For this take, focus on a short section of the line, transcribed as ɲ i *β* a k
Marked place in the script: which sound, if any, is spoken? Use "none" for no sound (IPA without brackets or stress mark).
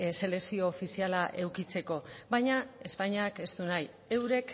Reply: none